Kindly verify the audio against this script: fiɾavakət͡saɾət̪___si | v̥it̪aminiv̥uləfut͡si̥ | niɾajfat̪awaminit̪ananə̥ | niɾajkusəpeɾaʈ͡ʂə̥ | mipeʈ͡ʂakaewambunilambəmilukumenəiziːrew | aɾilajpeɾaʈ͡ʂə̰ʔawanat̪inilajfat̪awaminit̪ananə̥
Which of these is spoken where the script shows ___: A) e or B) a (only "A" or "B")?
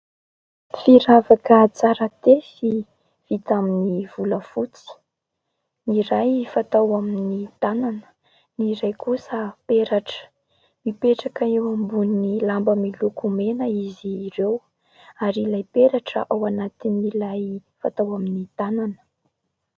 A